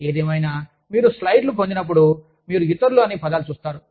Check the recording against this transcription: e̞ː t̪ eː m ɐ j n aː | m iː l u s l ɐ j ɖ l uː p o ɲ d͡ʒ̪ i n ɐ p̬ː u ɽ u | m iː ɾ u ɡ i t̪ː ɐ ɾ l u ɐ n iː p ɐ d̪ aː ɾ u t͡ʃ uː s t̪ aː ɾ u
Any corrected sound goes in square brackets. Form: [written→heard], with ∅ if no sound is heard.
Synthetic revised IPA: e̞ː [t̪→d̪] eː m ɐ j n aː | m iː [l→ɾ] u s l ɐ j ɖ l [uː→u] p o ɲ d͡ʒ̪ i n ɐ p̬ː u ɽ u | m iː ɾ u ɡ i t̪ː ɐ ɾ l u ɐ n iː p ɐ d̪ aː [ɾ→l] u t͡ʃ uː s t̪ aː ɾ u